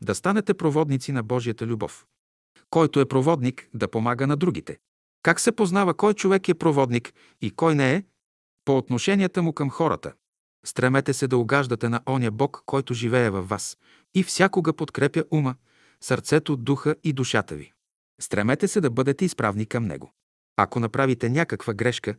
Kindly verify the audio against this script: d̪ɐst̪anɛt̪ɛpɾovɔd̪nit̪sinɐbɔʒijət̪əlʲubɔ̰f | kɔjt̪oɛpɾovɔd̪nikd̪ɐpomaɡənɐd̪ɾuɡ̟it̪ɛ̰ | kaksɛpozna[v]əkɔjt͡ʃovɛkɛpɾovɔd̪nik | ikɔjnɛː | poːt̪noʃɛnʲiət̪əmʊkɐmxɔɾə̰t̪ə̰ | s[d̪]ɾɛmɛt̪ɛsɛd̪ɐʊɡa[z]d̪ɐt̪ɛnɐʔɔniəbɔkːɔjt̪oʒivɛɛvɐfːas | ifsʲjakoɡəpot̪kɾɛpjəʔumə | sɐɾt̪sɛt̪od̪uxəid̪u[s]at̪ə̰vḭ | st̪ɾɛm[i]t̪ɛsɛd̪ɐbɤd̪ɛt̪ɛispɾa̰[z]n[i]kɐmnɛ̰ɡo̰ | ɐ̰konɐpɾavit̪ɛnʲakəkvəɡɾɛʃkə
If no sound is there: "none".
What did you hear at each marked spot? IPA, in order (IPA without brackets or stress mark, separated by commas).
v, t̪, ʒ, ʃ, ɛ, v, i